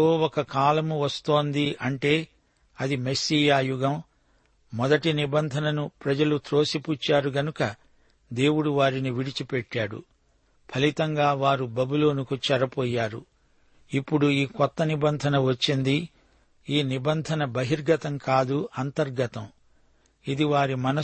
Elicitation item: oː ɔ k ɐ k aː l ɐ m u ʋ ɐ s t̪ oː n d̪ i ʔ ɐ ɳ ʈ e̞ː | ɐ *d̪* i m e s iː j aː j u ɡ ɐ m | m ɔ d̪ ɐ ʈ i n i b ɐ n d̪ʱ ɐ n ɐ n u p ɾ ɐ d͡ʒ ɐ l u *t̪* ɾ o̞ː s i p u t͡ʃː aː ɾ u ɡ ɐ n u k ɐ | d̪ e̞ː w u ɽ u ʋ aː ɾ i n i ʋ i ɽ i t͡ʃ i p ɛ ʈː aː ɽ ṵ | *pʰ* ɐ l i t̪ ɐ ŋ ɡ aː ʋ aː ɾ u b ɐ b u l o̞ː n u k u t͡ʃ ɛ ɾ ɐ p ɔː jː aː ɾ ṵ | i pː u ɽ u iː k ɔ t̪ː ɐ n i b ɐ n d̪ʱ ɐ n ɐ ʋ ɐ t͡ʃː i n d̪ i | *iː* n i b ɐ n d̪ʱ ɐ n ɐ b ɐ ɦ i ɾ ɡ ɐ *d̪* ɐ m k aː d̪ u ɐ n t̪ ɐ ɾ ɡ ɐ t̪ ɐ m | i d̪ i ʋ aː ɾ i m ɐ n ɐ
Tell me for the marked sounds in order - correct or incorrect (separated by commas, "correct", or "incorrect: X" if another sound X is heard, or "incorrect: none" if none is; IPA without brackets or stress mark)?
correct, correct, correct, correct, incorrect: t̪